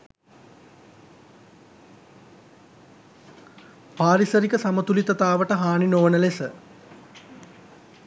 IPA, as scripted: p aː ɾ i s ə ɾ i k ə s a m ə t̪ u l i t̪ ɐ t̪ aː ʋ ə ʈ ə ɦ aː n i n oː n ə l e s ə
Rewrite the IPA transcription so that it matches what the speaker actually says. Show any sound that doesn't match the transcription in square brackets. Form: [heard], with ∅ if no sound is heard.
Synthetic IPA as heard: p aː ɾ i s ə ɾ i k ə s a m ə t̪ u l i t̪ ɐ t̪ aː ʋ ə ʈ ə ɦ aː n i n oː n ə l e s ə